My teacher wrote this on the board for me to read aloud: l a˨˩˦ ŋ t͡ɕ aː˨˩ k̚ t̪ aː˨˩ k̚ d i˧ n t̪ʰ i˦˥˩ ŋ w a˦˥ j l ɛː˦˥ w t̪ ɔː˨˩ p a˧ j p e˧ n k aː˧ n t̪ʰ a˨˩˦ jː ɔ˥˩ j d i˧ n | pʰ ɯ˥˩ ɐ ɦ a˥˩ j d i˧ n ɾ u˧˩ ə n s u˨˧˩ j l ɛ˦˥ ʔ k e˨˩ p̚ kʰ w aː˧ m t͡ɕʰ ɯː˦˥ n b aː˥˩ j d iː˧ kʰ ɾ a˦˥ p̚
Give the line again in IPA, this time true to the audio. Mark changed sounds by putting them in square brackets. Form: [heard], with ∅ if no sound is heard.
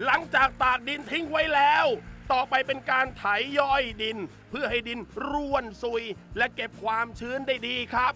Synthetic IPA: l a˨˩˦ ŋ t͡ɕ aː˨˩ k̚ t̪ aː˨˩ k̚ d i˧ n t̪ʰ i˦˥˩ ŋ w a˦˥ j l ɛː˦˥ w t̪ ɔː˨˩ p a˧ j p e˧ n k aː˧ n t̪ʰ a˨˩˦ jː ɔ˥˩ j d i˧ n | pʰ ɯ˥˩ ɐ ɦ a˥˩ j d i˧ n ɾ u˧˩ ə n s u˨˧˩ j l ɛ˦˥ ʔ k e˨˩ p̚ kʰ w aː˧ m t͡ɕʰ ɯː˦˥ n [d] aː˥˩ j d iː˧ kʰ ɾ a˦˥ p̚